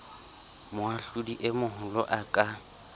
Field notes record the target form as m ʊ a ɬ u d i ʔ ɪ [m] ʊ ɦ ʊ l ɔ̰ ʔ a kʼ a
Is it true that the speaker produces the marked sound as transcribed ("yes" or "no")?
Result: yes